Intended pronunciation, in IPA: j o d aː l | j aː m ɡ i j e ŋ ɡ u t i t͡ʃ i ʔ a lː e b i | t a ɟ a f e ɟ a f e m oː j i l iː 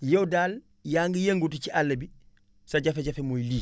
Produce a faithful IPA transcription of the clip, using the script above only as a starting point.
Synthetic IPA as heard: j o d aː l | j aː ŋ ɡ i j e ŋ ɡ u t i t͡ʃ i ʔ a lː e b i | s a ɟ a f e ɟ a f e m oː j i l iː